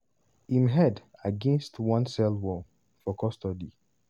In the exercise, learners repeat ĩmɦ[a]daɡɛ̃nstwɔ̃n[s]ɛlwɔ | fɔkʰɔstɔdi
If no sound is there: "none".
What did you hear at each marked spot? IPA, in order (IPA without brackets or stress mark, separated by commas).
ɛ, s